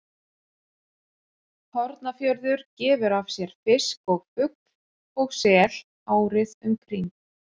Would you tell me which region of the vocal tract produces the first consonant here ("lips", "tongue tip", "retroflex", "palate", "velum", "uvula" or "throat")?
throat